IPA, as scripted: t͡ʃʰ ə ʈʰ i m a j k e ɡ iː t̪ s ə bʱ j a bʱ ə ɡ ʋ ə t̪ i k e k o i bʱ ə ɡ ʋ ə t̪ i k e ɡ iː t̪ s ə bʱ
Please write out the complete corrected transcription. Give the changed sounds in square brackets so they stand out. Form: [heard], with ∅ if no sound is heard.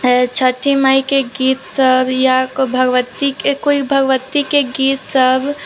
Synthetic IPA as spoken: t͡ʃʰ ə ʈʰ i m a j k e ɡ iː t̪ s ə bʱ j a bʱ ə ɡ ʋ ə t̪ i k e k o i bʱ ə ɡ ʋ ə t̪ i k e ɡ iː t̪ s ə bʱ